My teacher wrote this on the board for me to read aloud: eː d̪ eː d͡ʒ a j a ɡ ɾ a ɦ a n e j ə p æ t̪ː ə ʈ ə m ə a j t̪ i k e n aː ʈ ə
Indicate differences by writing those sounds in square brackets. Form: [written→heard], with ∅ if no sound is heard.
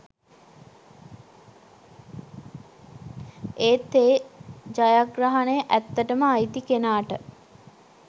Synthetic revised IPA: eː [d̪→t̪] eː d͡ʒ a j a ɡ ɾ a ɦ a n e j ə [p→ʔ] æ t̪ː ə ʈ ə m ə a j t̪ i k e n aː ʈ ə

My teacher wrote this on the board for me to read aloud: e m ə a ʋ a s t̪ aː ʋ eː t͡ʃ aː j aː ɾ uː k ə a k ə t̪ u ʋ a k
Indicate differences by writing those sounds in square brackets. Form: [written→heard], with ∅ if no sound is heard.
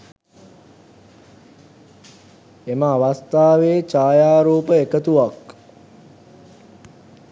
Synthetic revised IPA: e m ə a ʋ a s t̪ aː ʋ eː t͡ʃ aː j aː ɾ uː [k→p] ə [a→e] k ə t̪ u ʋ a k

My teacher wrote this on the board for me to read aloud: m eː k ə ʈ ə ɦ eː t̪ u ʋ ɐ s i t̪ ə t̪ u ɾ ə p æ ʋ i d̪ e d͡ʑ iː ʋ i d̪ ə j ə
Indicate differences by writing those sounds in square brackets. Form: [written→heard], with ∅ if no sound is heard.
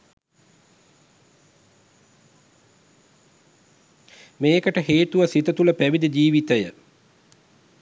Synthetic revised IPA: m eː k ə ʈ ə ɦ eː t̪ u ʋ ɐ s i t̪ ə t̪ u [ɾ→l] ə p æ ʋ i d̪ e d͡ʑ iː ʋ i [d̪→t̪] ə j ə

